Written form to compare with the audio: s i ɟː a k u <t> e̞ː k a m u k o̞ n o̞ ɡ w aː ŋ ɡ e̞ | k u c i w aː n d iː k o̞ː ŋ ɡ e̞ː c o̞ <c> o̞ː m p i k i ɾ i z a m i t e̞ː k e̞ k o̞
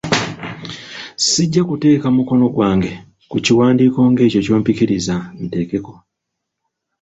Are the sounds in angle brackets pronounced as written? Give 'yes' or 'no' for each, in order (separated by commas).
yes, yes